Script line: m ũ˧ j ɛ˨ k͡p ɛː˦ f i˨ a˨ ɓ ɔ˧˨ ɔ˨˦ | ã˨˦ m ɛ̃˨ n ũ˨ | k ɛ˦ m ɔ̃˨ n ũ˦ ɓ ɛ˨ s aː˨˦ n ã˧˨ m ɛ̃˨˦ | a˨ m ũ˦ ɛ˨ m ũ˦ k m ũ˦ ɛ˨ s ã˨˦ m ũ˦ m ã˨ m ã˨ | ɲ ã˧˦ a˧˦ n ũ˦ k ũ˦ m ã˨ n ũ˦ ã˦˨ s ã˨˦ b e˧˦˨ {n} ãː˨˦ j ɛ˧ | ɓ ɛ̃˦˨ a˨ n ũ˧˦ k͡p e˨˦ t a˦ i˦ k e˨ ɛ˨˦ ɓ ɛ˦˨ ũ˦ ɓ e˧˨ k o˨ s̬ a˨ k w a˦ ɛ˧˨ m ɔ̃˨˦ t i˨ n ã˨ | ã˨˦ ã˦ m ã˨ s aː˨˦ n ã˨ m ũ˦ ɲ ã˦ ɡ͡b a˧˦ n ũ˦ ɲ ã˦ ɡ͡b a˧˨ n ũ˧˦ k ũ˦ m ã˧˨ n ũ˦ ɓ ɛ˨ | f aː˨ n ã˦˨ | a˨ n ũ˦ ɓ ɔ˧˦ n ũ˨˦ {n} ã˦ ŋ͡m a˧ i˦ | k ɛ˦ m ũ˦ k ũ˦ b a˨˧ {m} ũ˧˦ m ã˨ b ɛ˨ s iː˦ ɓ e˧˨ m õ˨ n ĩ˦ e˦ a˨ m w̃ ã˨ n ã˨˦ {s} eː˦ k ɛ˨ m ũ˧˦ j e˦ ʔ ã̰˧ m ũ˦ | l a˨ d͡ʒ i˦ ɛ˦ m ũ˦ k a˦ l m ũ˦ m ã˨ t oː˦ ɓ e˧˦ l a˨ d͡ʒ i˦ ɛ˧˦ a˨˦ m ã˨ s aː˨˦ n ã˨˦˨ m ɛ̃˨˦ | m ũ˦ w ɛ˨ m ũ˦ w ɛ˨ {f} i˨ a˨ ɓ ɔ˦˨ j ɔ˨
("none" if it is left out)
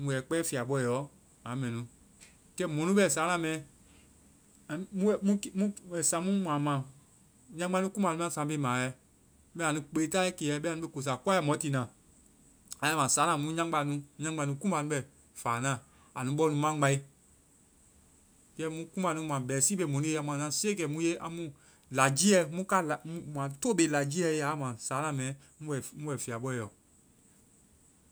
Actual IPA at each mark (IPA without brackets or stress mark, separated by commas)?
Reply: m, m, n, s, f